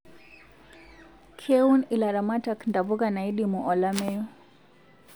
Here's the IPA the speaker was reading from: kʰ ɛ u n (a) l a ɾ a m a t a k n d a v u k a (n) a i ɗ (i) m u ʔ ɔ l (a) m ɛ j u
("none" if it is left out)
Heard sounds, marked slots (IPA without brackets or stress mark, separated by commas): i, n, i, a